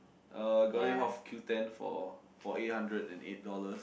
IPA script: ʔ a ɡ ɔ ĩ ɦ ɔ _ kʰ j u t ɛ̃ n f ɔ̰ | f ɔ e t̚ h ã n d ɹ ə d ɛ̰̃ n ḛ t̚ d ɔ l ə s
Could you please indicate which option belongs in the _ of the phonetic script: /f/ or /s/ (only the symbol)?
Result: f